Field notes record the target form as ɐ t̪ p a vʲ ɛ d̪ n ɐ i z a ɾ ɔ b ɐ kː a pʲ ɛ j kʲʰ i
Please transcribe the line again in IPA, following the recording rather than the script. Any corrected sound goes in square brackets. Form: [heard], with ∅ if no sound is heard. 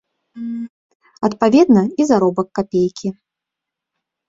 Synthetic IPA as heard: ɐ t̪ p a vʲ ɛ d̪ n ɐ i z a ɾ ɔ b ɐ kː a pʲ [e] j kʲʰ i

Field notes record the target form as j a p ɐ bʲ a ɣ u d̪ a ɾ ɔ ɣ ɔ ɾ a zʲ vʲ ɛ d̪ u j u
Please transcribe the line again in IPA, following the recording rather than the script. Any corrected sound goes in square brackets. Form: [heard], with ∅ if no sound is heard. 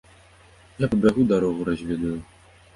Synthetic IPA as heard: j a p ɐ bʲ a ɣ u d̪ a ɾ ɔ ɣ [u] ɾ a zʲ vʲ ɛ d̪ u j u

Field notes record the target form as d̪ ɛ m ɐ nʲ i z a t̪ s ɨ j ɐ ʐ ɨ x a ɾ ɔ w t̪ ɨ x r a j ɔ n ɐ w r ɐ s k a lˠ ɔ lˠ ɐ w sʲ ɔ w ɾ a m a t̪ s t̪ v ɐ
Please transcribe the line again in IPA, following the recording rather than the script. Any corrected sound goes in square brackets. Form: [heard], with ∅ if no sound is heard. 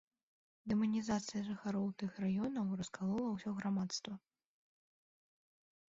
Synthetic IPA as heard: d̪ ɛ m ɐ nʲ i z a t̪ s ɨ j ɐ ʐ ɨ x a ɾ ɔ w t̪ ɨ x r a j ɔ n ɐ w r ɐ s k a lˠ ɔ lˠ ɐ w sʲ ɔ [ɣ] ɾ a m a t̪ s t̪ v ɐ

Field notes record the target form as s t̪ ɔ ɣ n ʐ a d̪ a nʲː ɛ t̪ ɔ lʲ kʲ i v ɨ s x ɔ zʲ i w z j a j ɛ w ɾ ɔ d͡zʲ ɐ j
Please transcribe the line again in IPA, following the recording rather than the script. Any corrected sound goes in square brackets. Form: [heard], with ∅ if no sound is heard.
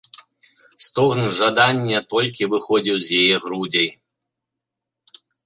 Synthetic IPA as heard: s t̪ ɔ ɣ n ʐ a d̪ a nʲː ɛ t̪ ɔ lʲ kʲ i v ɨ [∅] x ɔ [d͡zʲ] i w z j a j ɛ [ɣ] ɾ [u] d͡zʲ ɐ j

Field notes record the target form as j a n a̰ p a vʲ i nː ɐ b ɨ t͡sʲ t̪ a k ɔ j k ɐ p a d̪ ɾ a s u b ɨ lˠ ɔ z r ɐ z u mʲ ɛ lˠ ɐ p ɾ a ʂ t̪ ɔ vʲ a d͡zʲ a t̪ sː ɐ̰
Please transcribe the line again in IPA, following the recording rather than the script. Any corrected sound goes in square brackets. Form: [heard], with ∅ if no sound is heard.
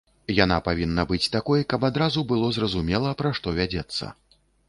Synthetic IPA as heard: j a n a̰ p a vʲ i nː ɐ b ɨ t͡sʲ t̪ a k ɔ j k ɐ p a d̪ ɾ a [z] u b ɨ lˠ ɔ z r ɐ z u mʲ ɛ lˠ ɐ p ɾ a ʂ t̪ ɔ vʲ a d͡zʲ [ɛ] t̪ sː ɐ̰

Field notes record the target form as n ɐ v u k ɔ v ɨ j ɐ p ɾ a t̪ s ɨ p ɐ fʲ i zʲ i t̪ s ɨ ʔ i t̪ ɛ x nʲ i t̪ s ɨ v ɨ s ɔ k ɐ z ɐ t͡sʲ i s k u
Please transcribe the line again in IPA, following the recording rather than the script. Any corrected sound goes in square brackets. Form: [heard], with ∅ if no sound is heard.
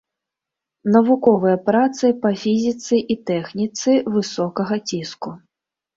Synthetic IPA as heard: n ɐ v u k ɔ v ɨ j ɐ p ɾ a t̪ s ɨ p ɐ fʲ i zʲ i t̪ s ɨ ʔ i t̪ ɛ x nʲ i t̪ s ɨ v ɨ s ɔ k ɐ [ɣ] ɐ t͡sʲ i s k u

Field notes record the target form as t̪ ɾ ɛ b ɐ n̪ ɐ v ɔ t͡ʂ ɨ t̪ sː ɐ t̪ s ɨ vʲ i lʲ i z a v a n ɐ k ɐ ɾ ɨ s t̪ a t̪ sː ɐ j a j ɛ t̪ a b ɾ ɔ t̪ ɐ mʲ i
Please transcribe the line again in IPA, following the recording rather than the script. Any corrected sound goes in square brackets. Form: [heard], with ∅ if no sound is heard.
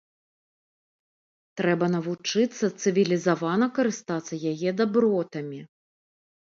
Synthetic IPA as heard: t̪ ɾ ɛ b ɐ n̪ ɐ v [u] t͡ʂ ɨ t̪ sː ɐ t̪ s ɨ vʲ i lʲ i z a v a n ɐ k ɐ ɾ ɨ s t̪ a t̪ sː ɐ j a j ɛ [d̪] a b ɾ ɔ t̪ ɐ mʲ i

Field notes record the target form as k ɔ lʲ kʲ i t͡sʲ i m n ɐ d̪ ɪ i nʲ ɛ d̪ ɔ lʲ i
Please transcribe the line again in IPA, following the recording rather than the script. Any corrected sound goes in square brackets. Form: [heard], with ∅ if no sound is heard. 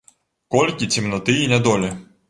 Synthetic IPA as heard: k ɔ lʲ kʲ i t͡sʲ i m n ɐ [t̪] ɪ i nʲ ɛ d̪ ɔ lʲ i

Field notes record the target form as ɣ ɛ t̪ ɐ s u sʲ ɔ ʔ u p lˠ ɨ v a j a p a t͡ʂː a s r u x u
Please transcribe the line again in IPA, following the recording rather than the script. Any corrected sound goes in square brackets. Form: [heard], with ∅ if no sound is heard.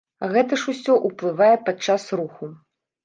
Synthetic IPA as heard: ɣ ɛ t̪ ɐ [ʂ] u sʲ ɔ ʔ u p lˠ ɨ v a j [ɛ] p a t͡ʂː a s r u x u

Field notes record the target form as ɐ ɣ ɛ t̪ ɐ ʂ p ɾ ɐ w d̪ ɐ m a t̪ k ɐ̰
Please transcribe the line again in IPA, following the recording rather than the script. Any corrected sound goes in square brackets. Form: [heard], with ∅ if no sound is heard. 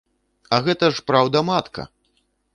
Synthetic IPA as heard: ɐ ɣ ɛ t̪ ɐ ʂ p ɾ [a] w d̪ ɐ m a t̪ k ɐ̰

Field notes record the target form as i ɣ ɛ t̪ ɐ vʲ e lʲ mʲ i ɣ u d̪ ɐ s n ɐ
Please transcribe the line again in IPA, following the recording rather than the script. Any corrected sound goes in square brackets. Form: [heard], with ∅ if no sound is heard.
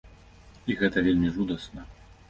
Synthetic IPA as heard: i ɣ ɛ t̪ ɐ vʲ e lʲ mʲ i [ʐ] u d̪ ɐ s n ɐ

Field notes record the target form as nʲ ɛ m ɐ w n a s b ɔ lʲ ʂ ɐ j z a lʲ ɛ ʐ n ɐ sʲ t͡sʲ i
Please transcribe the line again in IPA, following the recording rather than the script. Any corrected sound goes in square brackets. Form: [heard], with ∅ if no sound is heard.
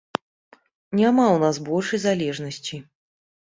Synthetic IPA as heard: nʲ [a] m [a] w n a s b ɔ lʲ ʂ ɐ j z a lʲ ɛ ʐ n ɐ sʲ t͡sʲ i

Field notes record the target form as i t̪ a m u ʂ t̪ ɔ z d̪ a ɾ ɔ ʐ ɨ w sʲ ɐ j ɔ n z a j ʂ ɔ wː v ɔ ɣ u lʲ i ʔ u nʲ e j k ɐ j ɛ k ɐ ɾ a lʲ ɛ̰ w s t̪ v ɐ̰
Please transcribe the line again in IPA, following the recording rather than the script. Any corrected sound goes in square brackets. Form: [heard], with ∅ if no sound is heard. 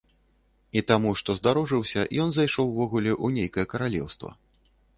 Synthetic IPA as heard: i t̪ a m u ʂ t̪ ɔ z d̪ a ɾ ɔ ʐ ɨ w sʲ ɐ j ɔ n z a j ʂ ɔ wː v ɔ ɣ u lʲ [ɛ] ʔ u nʲ e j k ɐ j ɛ k ɐ ɾ a lʲ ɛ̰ w s t̪ v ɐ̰

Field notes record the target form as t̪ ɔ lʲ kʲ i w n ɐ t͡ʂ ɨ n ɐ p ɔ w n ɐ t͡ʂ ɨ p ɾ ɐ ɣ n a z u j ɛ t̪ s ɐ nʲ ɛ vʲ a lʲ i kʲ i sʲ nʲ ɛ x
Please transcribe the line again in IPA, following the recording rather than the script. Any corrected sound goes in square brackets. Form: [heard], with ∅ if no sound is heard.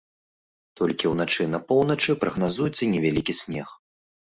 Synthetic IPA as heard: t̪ ɔ lʲ kʲ i w n [a] t͡ʂ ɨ n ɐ p ɔ w n ɐ t͡ʂ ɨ p ɾ ɐ ɣ n a z u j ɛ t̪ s ɐ nʲ ɛ vʲ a lʲ i kʲ i sʲ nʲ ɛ x

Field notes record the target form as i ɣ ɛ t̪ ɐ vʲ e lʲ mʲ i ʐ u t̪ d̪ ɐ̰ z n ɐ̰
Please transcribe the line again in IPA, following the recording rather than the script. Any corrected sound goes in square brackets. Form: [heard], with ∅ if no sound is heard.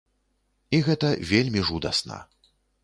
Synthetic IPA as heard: i ɣ ɛ t̪ ɐ vʲ e lʲ mʲ i ʐ u [∅] d̪ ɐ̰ [s] n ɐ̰

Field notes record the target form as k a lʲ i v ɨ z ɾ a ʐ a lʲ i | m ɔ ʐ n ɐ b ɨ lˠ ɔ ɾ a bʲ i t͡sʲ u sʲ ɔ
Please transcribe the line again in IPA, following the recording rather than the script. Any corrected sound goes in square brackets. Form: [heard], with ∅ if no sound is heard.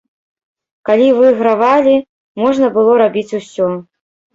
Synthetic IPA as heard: k a lʲ i v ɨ [ɣ] ɾ a [v] a lʲ i | m ɔ ʐ n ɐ b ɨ lˠ ɔ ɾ a bʲ i t͡sʲ u sʲ ɔ

